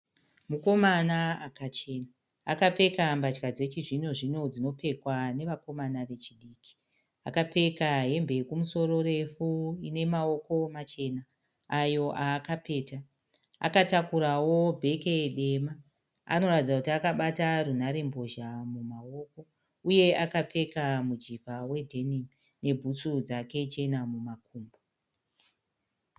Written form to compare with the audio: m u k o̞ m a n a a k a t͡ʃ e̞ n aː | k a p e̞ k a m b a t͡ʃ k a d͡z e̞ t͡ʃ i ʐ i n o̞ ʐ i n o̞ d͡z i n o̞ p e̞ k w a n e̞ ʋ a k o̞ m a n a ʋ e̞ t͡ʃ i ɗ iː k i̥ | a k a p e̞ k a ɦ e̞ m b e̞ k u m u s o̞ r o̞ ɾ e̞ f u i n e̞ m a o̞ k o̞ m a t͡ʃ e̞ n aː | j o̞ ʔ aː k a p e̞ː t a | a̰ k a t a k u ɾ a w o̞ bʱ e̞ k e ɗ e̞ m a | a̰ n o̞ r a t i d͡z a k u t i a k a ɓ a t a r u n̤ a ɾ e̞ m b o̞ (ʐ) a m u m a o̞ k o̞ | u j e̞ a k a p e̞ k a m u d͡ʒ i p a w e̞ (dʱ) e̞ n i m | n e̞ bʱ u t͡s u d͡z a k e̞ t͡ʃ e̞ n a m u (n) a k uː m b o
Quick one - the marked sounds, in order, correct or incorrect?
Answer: incorrect: ʒ, correct, incorrect: m

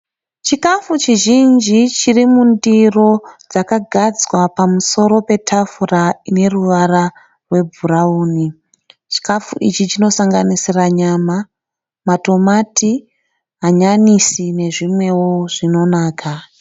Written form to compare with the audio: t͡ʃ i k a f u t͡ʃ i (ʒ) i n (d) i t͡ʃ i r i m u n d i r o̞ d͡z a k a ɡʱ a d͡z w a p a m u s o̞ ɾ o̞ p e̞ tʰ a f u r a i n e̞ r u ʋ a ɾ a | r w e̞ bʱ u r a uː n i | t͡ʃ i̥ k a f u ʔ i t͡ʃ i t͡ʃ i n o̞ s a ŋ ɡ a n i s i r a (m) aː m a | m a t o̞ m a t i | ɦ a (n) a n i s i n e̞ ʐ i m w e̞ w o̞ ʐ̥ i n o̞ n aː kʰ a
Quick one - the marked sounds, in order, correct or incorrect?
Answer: correct, incorrect: d͡ʒ, incorrect: ɲ, incorrect: ɲ

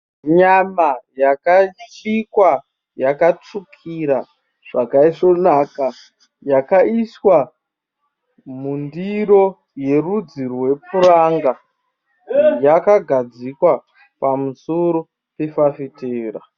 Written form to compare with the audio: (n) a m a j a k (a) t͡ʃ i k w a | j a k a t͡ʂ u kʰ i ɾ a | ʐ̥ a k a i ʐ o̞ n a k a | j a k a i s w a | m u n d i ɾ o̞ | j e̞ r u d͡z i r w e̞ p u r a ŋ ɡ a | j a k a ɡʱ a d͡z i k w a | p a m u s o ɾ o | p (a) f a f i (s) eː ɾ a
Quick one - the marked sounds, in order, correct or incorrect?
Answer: incorrect: ɲ, correct, incorrect: e, incorrect: t

